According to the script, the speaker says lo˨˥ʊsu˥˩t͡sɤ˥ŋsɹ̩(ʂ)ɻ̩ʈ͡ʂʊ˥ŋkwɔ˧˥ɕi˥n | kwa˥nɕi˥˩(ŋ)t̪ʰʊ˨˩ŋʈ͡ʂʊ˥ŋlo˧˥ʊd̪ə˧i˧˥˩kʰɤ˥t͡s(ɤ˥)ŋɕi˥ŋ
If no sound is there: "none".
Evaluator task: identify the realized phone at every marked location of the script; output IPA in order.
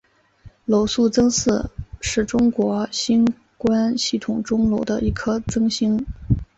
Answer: ʂ, none, ɤ˥

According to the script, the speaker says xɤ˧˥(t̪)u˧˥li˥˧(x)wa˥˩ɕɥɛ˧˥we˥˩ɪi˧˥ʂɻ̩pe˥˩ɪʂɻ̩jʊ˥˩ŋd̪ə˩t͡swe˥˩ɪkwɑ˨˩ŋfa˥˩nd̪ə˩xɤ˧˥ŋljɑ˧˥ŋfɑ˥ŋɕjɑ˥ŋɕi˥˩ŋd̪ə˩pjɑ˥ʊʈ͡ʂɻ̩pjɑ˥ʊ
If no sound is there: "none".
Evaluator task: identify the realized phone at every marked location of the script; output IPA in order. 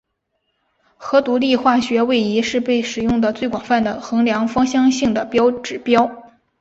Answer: t̪, x

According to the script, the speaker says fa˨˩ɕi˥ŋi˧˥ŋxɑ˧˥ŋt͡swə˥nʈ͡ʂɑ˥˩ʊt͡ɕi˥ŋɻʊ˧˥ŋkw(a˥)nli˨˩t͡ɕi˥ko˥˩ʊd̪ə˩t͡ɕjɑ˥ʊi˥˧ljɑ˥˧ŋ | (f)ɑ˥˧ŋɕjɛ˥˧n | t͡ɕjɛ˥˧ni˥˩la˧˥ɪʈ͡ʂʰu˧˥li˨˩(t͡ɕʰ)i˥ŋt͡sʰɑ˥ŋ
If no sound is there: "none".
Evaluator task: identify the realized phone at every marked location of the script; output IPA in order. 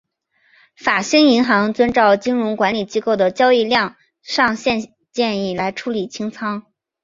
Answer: a˧˥, ʂ, t͡ɕʰ

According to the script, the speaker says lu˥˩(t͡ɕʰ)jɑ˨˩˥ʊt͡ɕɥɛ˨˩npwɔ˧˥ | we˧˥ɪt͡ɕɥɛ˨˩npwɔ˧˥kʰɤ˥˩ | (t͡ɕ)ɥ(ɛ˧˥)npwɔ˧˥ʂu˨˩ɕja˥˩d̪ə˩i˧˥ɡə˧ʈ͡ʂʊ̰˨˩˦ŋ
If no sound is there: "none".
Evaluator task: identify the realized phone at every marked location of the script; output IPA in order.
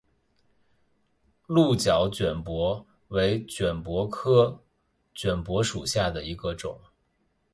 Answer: t͡ɕ, t͡ɕ, ɛ˨˩

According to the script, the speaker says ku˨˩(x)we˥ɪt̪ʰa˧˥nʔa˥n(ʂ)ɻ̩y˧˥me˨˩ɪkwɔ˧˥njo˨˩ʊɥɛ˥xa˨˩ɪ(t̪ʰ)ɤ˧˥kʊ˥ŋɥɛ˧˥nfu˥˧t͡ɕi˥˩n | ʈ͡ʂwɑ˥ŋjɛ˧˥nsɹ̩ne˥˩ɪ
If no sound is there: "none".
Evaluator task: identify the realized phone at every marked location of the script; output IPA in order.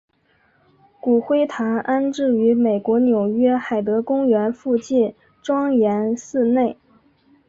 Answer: x, ʈ͡ʂ, t̪

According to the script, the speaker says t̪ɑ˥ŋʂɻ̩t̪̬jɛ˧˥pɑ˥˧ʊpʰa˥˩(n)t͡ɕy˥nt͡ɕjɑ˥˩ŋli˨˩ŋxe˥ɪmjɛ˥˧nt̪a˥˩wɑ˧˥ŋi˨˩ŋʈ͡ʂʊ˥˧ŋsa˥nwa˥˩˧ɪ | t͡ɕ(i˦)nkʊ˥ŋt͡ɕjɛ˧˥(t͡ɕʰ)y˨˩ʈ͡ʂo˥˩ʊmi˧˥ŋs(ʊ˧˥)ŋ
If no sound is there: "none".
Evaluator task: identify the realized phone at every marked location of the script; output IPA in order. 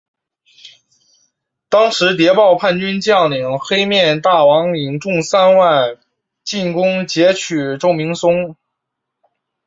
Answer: n, i˥˩, t͡ɕʰ, ʊ˥

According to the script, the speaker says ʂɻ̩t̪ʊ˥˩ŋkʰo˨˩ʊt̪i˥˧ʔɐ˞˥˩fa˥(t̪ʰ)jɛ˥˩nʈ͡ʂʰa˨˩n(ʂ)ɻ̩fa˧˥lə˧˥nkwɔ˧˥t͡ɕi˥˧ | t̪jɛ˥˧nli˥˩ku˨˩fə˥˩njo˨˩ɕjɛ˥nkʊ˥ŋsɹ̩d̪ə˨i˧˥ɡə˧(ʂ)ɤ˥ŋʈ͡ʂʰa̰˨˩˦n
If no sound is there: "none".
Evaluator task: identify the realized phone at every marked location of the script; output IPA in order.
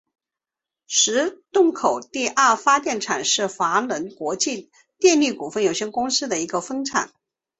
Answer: t̪, ʂ, f

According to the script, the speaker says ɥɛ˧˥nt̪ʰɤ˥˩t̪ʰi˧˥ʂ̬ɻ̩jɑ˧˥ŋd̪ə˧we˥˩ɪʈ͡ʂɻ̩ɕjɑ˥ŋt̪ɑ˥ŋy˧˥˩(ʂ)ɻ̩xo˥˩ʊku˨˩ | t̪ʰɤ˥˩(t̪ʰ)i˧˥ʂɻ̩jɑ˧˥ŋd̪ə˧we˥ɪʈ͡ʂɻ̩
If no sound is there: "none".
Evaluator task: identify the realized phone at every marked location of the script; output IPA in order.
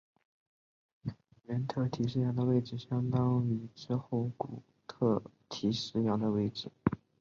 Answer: ʈ͡ʂ, t̪ʰ

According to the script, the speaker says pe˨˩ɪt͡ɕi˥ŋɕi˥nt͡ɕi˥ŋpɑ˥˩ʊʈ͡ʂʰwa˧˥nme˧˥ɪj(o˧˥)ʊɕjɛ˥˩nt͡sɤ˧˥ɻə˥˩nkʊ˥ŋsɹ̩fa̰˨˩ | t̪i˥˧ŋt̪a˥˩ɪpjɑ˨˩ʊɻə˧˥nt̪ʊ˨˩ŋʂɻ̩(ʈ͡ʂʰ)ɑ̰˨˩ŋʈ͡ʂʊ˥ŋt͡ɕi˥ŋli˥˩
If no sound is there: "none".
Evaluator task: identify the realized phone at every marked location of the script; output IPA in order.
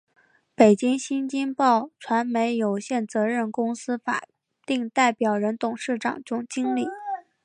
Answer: o˨˩, ʈ͡ʂ

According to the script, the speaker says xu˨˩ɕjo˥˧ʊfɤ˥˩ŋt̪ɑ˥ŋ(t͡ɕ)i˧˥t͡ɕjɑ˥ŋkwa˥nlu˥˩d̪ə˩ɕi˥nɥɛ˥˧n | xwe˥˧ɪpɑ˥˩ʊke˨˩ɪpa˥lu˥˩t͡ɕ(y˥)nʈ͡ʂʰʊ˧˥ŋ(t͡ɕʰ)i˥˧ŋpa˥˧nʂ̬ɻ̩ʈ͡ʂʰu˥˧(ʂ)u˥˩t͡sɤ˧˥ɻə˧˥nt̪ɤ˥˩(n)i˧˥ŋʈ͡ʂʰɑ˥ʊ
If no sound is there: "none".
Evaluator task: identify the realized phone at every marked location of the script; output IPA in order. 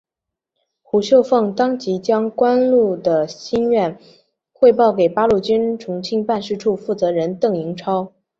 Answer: t͡ɕ, y˥, t͡ɕʰ, f, ŋ

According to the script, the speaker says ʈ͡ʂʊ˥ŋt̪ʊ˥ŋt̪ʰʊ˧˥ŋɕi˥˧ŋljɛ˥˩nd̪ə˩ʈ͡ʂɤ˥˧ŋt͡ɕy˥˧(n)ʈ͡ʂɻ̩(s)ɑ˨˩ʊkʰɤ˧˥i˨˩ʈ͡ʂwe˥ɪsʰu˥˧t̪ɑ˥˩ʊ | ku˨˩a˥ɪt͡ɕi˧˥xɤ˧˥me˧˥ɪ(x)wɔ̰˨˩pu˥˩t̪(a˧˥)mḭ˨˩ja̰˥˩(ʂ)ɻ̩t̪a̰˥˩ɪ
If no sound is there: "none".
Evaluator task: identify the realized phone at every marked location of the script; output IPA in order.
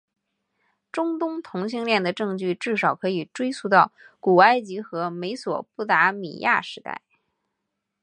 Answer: none, ʂ, s, a˧˥, ʂ

